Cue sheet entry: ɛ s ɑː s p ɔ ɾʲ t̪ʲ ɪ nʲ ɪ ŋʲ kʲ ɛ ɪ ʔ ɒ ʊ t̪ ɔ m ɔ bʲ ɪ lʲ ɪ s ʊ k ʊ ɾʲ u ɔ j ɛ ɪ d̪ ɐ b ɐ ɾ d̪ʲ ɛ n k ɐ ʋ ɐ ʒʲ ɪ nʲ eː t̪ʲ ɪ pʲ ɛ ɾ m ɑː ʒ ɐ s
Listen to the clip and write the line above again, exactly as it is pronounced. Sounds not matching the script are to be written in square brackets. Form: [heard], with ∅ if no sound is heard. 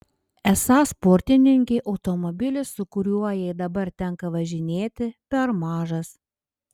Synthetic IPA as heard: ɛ s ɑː s p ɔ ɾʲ t̪ʲ ɪ nʲ ɪ ŋʲ kʲ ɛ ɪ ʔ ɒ ʊ t̪ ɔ m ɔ bʲ ɪ lʲ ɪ s ʊ k ʊ ɾʲ u ɔ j ɛ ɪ d̪ ɐ b ɐ ɾ [t̪ʲ] ɛ [ŋ] k ɐ ʋ ɐ ʒʲ ɪ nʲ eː t̪ʲ ɪ pʲ ɛ ɾ m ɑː ʒ ɐ s